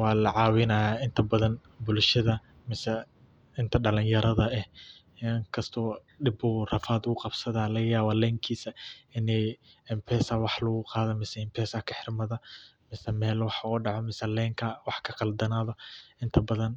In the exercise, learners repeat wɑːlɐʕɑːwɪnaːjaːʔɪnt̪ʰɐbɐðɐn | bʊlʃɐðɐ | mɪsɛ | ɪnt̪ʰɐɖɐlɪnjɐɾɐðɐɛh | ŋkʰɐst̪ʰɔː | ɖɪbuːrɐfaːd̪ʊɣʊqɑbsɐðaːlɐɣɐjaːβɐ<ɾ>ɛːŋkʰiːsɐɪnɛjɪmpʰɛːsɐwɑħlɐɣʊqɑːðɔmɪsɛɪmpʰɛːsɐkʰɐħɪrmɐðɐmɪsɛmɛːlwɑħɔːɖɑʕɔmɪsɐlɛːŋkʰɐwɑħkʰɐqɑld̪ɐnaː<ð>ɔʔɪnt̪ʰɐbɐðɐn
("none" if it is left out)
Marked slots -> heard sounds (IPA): l, ð

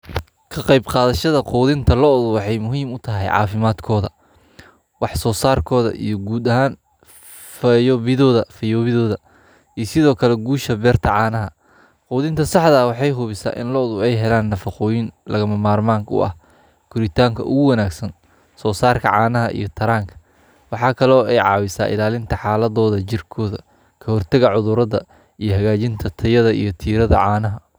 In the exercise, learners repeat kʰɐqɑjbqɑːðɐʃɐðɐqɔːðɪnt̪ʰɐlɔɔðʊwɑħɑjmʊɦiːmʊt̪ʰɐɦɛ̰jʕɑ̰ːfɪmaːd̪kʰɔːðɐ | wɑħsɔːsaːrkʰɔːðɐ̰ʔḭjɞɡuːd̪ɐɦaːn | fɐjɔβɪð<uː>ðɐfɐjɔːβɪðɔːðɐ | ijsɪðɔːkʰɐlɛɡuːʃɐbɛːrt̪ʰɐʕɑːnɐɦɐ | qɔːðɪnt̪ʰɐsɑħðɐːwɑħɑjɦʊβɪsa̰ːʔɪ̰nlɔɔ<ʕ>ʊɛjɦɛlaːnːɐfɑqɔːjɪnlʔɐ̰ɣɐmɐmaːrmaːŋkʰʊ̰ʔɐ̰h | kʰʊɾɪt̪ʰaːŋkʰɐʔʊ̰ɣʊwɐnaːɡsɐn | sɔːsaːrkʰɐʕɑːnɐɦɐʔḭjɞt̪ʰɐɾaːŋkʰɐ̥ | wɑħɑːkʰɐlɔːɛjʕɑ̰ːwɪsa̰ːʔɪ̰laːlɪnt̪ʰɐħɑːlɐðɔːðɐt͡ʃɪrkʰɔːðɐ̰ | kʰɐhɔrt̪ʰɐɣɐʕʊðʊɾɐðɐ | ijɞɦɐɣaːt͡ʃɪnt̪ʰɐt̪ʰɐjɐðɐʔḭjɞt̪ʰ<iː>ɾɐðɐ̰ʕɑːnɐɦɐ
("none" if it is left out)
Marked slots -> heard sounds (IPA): ɔː, ð, iː

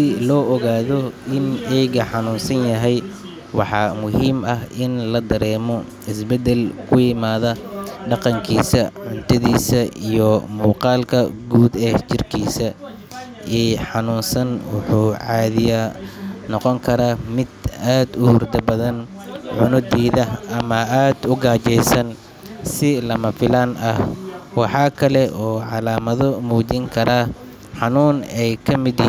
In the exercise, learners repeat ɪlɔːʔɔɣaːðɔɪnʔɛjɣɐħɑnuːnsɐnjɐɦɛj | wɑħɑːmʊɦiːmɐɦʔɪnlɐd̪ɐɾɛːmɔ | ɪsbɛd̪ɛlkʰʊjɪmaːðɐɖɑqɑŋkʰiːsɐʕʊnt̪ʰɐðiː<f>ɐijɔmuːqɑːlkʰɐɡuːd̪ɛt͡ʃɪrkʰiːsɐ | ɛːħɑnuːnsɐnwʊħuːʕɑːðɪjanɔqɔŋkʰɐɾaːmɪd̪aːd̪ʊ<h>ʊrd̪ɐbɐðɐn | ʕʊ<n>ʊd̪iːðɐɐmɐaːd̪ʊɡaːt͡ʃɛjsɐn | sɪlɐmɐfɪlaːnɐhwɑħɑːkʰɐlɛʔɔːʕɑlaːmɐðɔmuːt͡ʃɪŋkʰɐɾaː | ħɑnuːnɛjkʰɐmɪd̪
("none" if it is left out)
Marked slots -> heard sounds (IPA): s, h, n

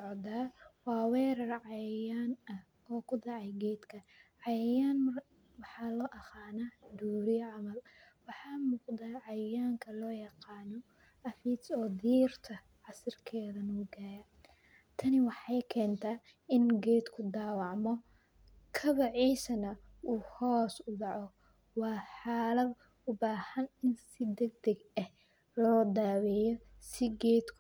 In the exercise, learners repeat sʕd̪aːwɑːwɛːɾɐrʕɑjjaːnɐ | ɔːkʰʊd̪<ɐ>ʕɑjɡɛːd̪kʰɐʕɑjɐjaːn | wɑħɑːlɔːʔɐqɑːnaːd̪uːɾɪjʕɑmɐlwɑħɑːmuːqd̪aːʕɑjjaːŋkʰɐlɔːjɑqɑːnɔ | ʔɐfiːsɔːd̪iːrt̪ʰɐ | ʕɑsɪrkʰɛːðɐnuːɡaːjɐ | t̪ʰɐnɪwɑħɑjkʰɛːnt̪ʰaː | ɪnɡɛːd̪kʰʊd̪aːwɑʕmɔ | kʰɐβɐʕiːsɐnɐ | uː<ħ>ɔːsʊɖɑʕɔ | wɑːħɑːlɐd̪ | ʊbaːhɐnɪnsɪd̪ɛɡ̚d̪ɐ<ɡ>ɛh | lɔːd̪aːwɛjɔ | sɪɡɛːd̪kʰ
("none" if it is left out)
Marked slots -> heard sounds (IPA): ɑ, h, ɡ

